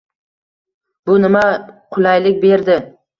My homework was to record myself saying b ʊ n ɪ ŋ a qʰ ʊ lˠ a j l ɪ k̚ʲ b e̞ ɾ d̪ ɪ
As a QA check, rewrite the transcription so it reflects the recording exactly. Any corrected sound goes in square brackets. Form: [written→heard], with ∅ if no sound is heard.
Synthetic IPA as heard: b ʊ n ɪ [ŋ→m] a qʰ ʊ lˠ a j l ɪ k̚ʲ b e̞ ɾ d̪ ɪ